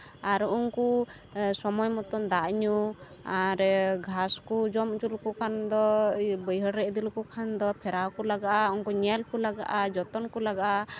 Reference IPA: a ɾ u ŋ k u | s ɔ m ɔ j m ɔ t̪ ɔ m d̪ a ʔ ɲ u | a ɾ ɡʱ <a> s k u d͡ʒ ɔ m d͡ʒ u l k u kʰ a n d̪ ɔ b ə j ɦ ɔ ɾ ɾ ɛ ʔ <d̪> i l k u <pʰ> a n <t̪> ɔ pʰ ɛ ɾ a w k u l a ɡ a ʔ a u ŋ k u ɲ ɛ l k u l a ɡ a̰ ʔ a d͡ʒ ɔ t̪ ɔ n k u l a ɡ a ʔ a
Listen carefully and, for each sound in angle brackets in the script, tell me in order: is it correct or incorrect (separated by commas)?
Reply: correct, correct, incorrect, incorrect